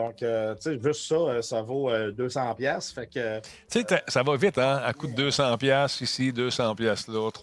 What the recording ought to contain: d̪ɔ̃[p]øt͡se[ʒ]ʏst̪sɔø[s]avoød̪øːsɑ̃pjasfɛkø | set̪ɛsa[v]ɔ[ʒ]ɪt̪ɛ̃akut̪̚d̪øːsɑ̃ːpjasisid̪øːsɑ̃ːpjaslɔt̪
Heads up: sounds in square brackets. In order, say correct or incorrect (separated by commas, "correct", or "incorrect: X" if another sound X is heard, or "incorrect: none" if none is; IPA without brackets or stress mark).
incorrect: k, correct, correct, correct, incorrect: v